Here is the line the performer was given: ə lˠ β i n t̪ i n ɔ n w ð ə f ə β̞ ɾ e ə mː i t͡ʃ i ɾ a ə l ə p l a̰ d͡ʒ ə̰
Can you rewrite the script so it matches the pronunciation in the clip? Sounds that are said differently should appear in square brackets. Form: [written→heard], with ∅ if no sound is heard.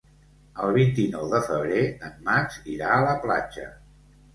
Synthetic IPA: ə lˠ β i n t̪ i n ɔ [n→∅] w ð ə f ə β̞ ɾ e ə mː [i→a] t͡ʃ i ɾ a ə l ə p l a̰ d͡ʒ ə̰